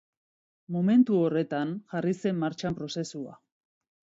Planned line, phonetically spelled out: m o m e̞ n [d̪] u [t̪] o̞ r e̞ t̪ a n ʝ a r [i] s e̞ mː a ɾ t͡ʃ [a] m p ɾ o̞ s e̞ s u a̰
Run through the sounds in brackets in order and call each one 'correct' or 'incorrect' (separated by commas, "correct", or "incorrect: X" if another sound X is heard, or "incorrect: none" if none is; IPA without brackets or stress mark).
incorrect: t̪, incorrect: none, correct, correct